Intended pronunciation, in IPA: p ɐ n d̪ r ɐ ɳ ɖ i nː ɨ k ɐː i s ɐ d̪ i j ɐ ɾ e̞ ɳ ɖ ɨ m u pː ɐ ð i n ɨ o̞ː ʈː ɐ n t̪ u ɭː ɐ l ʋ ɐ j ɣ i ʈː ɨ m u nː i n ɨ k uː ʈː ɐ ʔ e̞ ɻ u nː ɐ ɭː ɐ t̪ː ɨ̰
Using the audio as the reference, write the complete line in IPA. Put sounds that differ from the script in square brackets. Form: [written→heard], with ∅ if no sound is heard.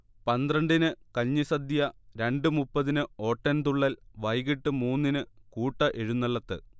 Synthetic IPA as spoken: p ɐ n d̪ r ɐ ɳ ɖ i [nː→n] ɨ k ɐː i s ɐ d̪ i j ɐ ɾ e̞ ɳ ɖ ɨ m u pː ɐ ð i n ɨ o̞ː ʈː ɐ n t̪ u ɭː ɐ l ʋ ɐ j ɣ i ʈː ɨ m [u→uː] nː i n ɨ k uː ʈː ɐ ʔ e̞ ɻ u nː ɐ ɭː ɐ t̪ː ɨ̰